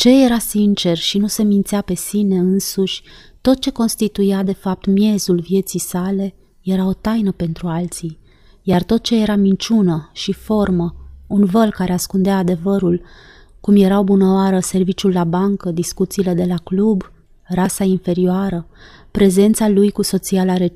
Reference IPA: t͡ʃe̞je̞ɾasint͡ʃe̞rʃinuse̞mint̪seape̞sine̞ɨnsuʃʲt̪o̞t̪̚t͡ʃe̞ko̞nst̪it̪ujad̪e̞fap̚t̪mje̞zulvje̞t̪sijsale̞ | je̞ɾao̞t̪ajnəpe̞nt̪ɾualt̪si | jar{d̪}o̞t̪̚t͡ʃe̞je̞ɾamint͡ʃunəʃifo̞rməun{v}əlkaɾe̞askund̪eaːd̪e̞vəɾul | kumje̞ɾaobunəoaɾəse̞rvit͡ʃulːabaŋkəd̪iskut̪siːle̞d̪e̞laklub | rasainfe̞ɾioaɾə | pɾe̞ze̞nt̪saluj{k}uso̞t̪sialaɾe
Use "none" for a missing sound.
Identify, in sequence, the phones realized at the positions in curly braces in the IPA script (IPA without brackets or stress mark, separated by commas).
t̪, v, k